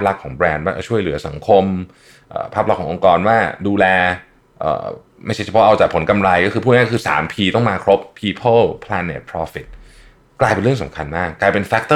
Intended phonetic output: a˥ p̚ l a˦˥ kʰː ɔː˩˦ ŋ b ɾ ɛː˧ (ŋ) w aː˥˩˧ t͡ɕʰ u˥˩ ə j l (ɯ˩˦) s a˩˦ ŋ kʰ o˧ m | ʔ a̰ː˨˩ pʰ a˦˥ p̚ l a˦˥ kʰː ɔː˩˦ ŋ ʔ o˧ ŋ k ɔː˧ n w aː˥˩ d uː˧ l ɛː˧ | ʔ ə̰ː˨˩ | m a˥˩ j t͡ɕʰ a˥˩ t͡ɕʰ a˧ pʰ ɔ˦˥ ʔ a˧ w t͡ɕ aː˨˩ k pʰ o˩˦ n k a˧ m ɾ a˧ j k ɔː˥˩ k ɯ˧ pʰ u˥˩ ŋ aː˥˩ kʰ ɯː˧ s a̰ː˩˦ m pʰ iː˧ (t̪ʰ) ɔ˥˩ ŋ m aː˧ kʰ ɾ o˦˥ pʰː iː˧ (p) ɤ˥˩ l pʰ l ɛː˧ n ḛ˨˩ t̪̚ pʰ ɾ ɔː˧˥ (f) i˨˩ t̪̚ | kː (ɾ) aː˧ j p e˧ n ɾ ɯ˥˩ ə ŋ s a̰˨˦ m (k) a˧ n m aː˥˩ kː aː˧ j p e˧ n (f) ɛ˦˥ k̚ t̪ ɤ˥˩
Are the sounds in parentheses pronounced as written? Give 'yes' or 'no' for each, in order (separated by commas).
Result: no, yes, no, no, yes, no, no, yes